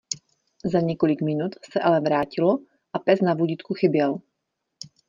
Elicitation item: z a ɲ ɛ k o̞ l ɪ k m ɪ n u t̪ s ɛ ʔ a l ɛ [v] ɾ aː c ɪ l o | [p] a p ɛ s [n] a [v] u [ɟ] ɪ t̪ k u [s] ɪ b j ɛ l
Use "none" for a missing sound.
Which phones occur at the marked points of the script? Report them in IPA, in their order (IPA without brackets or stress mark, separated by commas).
v, ʔ, n, v, ɟ, x